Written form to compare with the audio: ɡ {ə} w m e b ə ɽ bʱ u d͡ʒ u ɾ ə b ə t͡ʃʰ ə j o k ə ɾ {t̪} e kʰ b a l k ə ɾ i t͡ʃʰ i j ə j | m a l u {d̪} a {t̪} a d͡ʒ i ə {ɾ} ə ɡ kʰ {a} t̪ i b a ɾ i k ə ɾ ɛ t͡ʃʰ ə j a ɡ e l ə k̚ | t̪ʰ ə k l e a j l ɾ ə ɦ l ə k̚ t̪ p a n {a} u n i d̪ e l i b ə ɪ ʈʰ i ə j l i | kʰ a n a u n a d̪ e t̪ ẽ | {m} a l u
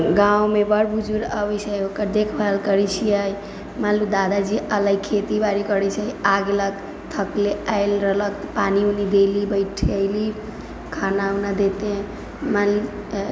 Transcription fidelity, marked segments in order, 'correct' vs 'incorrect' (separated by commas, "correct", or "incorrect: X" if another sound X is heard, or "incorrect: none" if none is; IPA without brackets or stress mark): incorrect: a, incorrect: d̪, correct, incorrect: d̪, incorrect: l, incorrect: e, incorrect: i, correct